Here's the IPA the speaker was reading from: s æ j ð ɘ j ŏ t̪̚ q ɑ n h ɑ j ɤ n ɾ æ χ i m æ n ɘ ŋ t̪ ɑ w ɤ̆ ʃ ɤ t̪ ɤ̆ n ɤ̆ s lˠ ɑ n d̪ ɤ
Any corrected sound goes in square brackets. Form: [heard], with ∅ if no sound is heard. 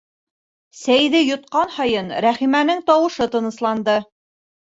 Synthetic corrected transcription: s æ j ð ɘ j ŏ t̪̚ q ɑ n h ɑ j ɤ n ɾ æ χ i m æ n ɘ ŋ t̪ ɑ w ɤ̆ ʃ ɤ t̪ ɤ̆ n ɤ̆ s lˠ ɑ n d̪ ɤ